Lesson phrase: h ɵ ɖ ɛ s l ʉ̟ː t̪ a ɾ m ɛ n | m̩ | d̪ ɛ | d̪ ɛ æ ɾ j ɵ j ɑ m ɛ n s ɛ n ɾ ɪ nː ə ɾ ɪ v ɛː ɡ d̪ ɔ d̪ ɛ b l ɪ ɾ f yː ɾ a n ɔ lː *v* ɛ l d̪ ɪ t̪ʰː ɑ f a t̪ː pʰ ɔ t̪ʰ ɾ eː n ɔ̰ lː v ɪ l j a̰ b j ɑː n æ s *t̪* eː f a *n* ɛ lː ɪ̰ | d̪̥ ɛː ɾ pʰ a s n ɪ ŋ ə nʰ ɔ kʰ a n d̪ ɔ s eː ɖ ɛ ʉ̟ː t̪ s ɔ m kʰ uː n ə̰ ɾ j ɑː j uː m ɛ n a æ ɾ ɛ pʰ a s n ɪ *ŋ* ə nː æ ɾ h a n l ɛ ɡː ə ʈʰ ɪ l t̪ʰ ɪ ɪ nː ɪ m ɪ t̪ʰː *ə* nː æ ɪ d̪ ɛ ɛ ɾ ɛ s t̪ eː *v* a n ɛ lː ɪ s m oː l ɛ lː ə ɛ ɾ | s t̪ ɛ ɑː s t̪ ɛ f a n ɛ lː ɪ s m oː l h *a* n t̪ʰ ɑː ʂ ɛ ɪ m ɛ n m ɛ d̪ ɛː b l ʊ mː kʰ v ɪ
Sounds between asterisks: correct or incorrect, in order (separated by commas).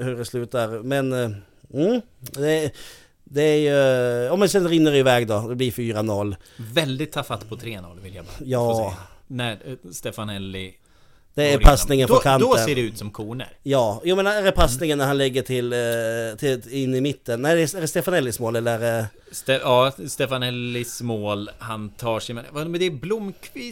correct, correct, correct, correct, correct, incorrect, correct